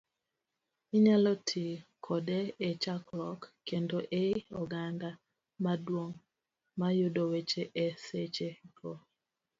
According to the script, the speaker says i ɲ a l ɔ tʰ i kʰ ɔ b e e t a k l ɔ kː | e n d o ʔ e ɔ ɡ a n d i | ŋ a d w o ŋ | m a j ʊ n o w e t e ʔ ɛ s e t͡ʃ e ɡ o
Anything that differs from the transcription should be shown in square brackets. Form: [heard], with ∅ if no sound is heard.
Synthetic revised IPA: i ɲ a l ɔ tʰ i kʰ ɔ [d] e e [t͡ʃ] a k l ɔ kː | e n d o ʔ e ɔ ɡ a n d [a] | [m] a d w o ŋ | m a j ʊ [d] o w e [t͡ʃ] e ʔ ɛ s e t͡ʃ e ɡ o